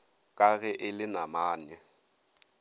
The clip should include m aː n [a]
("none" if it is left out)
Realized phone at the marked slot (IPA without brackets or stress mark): ɛ